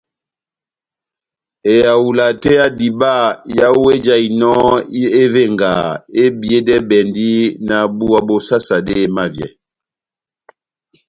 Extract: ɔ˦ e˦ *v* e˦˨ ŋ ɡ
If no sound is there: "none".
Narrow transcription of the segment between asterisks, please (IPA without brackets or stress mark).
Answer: v